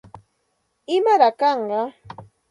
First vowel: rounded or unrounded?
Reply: unrounded